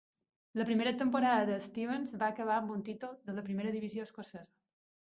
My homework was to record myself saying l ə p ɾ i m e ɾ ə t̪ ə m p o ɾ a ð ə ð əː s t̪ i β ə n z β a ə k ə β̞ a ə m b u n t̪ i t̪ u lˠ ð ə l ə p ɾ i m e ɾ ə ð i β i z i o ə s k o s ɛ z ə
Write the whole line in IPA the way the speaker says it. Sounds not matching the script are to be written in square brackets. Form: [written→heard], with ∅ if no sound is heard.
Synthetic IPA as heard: l ə p ɾ i m e ɾ ə t̪ ə m p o ɾ a ð ə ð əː s t̪ i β ə n z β a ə k ə β̞ a ə m b u n t̪ i t̪ u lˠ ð ə l ə p ɾ i m e ɾ ə ð i β i z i o ə s k o s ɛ z ə